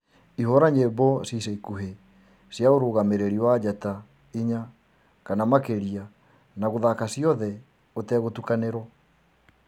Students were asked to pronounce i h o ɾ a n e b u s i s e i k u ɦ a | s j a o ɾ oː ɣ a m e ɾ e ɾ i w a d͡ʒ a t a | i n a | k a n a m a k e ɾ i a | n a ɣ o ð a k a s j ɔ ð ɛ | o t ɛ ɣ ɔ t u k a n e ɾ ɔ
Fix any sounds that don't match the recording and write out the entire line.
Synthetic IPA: i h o ɾ a ɲ e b ɔ s i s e i k u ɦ e | s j a o ɾ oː ɣ a m e ɾ e ɾ i w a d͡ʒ a t a | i ɲ a | k a n a m a k e ɾ i a | n a ɣ o ð a k a s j ɔ ð ɛ | o t ɛ ɣ o t u k a n e ɾ ɔ

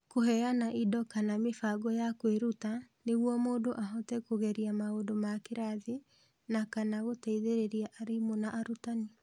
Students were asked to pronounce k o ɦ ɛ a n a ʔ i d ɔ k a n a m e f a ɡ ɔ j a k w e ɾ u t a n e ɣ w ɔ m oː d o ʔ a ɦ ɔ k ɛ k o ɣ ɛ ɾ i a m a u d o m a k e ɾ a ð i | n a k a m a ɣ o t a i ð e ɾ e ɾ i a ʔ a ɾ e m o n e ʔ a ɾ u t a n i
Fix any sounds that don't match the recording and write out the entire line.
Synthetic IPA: k o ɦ ɛ a n a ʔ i d ɔ k a n a m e f a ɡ ɔ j a k w e ɾ u t a n e ɣ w ɔ m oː d o ʔ a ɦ ɔ t ɛ k o ɣ ɛ ɾ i a m a o d o m a k e ɾ a ð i | n a k a n a ɣ o t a i ð e ɾ e ɾ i a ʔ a ɾ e m o n a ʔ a ɾ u t a n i

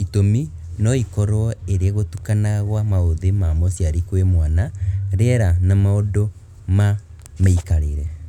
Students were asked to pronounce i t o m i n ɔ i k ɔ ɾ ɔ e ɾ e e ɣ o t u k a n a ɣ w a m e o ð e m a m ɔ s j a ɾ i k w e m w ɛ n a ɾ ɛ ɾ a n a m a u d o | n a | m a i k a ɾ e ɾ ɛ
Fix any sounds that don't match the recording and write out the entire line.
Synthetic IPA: i t o m i n ɔ i k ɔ ɾ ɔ e ɾ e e ɣ o t u k a n a ɣ w a m a o ð e m a m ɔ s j a ɾ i k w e m w a n a ɾ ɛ ɾ a n a m a o d o | m a | m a i k a ɾ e ɾ ɛ

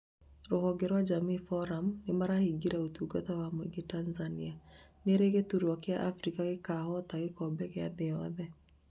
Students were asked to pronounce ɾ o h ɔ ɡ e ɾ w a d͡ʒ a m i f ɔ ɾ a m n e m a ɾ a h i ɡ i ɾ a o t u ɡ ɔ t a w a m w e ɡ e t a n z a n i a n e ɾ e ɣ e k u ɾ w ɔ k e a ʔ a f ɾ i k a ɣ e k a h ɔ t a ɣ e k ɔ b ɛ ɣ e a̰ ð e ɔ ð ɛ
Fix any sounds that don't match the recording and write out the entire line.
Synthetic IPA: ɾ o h ɔ ɡ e ɾ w a d͡ʒ a m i f ɔ ɾ a m n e m a ɾ a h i ɡ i ɾ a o t u ɡ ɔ t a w a m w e ɡ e t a n z a n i a n e ɾ e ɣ e t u ɾ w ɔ k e a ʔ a f ɾ i k a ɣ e k a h ɔ t a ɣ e k ɔ b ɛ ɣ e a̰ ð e ɔ ð ɛ

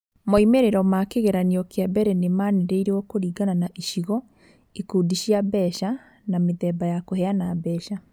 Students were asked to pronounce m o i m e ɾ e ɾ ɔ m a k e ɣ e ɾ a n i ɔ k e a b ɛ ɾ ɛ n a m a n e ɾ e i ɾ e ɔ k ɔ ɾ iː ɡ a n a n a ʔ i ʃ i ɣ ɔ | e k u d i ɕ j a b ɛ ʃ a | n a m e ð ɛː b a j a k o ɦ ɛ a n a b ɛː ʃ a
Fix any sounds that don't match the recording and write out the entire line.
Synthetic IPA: m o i m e ɾ e ɾ ɔ m a k e ɣ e ɾ a n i ɔ k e a b ɛ ɾ ɛ n e m a n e ɾ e i ɾ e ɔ k o ɾ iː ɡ a n a n a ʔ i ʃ i ɣ ɔ | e k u d i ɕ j a b ɛ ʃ a | n a m e ð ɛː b a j a k o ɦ ɛ a n a b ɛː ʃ a

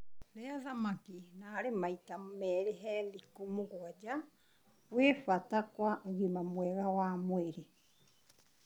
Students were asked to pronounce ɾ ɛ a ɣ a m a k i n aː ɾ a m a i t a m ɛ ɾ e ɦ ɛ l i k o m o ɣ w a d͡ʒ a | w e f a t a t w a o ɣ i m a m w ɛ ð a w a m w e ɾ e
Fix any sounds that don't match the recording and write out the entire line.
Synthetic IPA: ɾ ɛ a ð a m a k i n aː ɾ e m a i t a m ɛ ɾ e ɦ ɛ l i k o m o ɣ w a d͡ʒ a | w e f a t a k w a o ɣ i m a m w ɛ ɣ a w a m w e ɾ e

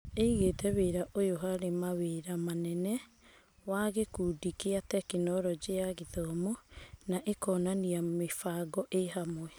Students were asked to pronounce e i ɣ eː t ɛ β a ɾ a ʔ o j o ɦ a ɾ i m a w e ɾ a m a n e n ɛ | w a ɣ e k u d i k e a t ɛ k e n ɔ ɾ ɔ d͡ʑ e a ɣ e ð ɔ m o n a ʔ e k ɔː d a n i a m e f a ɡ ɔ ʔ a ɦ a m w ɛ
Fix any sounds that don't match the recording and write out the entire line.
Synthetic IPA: e i ɣ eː t ɛ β e ɾ a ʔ o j o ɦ a ɾ e m a w e ɾ a m a n ɛ n ɛ | w a ɣ e k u d i k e a t ɛ k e n ɔ ɾ ɔ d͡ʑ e a ɣ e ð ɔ m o n a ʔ e k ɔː n a n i a m e f a ɡ ɔ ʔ e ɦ a m w ɛ

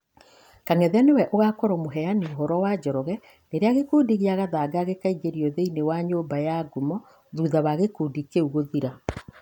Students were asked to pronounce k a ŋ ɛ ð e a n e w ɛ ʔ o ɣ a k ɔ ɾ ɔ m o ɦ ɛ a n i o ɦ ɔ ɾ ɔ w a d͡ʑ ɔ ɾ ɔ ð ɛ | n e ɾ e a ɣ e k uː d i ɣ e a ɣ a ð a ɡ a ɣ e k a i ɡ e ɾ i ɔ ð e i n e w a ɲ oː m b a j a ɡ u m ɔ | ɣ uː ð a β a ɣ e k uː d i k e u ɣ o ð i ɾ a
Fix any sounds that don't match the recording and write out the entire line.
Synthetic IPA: k a ŋ ɛ ð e a n e w ɛ ʔ o ɣ a k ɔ ɾ ɔ m o ɦ ɛ a n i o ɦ ɔ ɾ ɔ w a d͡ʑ ɔ ɾ ɔ ɣ ɛ | n e ɾ e a ɣ e k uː d i ɣ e a ɣ a ð a ɡ a ɣ e k a i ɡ e ɾ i ɔ ð e i n e w a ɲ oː m b a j a ɡ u m ɔ | ð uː ð a β a ɣ e k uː d i k e u ɣ o ð i ɾ a

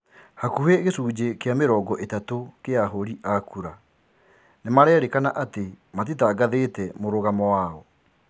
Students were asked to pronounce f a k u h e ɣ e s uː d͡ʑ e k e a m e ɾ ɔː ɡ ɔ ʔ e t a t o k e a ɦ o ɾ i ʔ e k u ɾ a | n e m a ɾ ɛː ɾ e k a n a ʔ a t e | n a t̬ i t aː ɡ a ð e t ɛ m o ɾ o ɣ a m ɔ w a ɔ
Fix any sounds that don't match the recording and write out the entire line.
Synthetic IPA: h a k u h e ɣ e s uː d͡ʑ e k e a m e ɾ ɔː ɡ ɔ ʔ e t a t o k e a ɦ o ɾ i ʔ a k u ɾ a | n e m a ɾ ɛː ɾ e k a n a ʔ a t e | m a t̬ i t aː ɡ a ð e t ɛ m o ɾ o ɣ a m ɔ w a ɔ

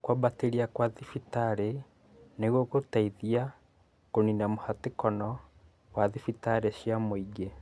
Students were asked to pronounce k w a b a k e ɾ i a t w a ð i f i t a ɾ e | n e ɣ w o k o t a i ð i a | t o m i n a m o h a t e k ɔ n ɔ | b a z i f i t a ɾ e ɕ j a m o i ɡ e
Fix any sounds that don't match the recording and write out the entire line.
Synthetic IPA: k w a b a t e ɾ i a k w a ð i f i t a ɾ e | n e ɣ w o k o t a i ð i a | k o n i n a m o h a t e k ɔ n ɔ | w a ð i f i t a ɾ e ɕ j a m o i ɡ e

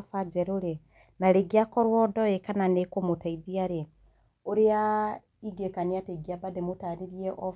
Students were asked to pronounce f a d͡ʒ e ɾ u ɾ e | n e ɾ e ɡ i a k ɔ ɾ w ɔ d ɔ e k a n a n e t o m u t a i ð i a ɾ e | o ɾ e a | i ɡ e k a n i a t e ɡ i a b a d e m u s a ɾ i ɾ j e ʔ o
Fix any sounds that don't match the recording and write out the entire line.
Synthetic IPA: f a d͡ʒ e ɾ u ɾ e | n a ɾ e ɡ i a k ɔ ɾ w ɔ d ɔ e k a n a n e k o m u t a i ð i a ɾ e | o ɾ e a | i ɡ e k a n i a t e ɡ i a b a d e m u t a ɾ i ɾ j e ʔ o

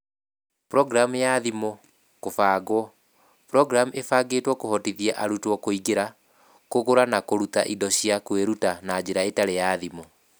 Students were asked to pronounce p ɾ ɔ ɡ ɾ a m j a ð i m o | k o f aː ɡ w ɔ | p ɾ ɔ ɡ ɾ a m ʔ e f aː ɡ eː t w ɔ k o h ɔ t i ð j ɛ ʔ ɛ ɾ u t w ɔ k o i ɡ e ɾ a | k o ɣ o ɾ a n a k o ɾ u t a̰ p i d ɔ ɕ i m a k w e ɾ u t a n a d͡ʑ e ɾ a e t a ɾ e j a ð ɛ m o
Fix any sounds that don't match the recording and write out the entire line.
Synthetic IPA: p ɾ ɔ ɡ ɾ a m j a ð i m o | k o f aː ɡ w ɔ | p ɾ ɔ ɡ ɾ a m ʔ e f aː ɡ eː t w ɔ k o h ɔ t i ð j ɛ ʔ a ɾ u t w ɔ k o i ɡ e ɾ a | k o ɣ o ɾ a n a k o ɾ u t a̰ ʔ i d ɔ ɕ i a k w e ɾ u t a n a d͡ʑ e ɾ a e t a ɾ e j a ð i m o

